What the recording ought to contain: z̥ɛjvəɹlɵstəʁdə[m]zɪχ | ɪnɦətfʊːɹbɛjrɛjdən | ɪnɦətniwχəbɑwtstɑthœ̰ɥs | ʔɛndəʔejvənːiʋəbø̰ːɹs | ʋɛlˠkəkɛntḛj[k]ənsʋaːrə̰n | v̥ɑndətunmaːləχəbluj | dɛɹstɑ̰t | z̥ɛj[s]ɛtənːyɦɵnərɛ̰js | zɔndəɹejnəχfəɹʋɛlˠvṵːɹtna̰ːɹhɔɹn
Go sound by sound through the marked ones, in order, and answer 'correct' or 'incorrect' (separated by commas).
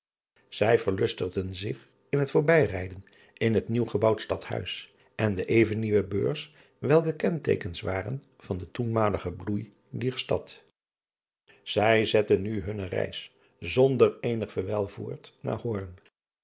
incorrect, correct, incorrect